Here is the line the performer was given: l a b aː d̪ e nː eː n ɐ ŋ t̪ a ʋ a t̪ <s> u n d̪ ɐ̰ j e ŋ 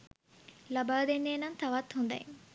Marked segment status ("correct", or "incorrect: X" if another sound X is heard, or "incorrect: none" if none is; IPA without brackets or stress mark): incorrect: h